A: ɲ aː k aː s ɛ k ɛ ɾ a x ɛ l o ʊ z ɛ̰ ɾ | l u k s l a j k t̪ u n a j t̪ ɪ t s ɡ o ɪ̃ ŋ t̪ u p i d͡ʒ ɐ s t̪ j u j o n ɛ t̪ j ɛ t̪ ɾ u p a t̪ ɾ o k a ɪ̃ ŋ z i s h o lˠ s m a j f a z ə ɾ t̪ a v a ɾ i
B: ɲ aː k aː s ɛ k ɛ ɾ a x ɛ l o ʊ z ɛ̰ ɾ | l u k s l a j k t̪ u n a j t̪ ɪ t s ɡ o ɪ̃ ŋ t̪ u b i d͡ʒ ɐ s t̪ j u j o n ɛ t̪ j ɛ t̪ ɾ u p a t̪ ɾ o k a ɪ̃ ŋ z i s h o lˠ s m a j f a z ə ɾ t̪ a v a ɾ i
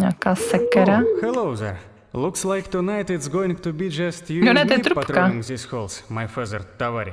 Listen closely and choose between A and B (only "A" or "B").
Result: B